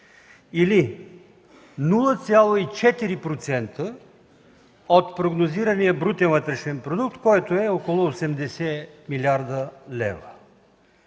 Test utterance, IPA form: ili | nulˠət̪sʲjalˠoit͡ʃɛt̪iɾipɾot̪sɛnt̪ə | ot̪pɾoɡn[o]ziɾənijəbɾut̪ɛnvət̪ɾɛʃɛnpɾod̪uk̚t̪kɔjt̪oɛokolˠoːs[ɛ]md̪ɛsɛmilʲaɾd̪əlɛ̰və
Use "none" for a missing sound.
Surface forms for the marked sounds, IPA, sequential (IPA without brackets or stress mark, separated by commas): o, ɛ